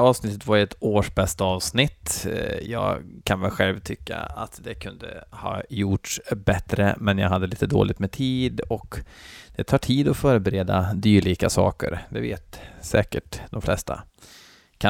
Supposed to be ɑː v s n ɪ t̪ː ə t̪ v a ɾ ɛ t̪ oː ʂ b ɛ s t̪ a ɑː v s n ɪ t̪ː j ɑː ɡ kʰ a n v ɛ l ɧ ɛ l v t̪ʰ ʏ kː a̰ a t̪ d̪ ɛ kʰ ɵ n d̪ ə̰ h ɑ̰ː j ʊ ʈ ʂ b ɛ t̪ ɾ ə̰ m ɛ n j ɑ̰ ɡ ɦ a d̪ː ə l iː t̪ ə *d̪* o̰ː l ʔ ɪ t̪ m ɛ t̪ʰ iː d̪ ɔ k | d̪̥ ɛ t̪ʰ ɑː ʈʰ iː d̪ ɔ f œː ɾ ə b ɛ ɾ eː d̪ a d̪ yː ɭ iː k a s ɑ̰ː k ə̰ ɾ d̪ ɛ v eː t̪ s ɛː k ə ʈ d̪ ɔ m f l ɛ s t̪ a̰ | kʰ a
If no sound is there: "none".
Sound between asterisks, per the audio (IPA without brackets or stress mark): d̪